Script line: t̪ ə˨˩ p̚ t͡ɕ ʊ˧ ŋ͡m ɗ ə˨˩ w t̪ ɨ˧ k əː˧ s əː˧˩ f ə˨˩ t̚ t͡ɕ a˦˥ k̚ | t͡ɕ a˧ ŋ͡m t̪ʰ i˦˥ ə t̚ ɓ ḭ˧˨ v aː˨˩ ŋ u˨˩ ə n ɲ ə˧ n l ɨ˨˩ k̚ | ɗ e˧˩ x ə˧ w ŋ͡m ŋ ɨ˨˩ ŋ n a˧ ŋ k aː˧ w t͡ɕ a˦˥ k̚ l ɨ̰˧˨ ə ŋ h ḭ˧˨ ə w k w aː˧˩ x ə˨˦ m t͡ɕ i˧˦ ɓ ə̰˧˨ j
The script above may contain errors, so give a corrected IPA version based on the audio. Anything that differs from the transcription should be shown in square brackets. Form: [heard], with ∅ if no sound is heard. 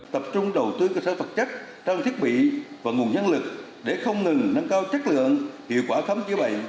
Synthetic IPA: t̪ ə˨˩ p̚ t͡ɕ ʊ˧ ŋ͡m ɗ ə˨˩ w t̪ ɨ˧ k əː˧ s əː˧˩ f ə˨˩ t̚ t͡ɕ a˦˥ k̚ | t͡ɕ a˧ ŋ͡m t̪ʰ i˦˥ ə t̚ ɓ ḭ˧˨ v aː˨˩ ŋ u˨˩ ə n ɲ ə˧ n l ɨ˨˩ k̚ | ɗ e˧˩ x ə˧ w ŋ͡m ŋ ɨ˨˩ ŋ n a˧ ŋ k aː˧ w t͡ɕ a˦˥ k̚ l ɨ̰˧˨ ə ŋ h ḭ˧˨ ə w k w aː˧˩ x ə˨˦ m t͡ɕ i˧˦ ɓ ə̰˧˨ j